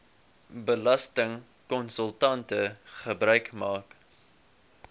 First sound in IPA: b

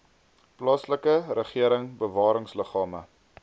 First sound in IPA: p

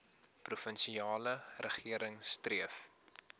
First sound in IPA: p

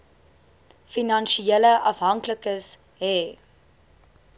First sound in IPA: f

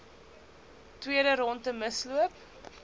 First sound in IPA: t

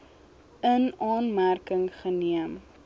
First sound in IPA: ə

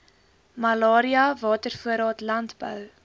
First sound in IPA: m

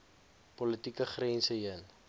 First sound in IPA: p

